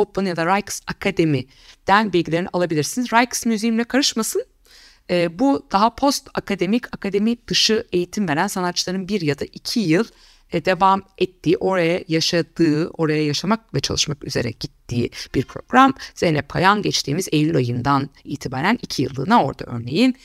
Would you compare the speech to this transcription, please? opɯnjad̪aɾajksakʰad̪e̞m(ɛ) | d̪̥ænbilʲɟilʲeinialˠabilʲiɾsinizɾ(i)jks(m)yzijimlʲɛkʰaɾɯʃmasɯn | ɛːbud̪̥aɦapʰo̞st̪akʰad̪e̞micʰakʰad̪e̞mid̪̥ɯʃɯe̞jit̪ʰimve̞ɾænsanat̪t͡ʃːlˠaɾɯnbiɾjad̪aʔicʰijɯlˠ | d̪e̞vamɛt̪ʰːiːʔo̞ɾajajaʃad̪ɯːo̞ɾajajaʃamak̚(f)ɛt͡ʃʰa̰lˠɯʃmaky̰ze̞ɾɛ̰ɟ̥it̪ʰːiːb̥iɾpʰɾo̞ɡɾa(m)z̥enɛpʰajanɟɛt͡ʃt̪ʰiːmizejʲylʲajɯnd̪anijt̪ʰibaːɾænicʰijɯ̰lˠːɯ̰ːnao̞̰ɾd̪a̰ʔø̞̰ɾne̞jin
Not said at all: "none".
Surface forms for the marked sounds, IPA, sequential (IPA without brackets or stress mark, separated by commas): i, a, m, v, m